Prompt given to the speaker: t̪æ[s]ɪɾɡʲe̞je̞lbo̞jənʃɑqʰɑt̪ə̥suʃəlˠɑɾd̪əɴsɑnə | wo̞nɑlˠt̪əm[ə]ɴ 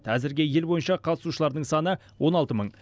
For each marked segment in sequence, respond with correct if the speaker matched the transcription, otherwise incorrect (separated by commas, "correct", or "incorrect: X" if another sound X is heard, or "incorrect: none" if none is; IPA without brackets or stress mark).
incorrect: z, correct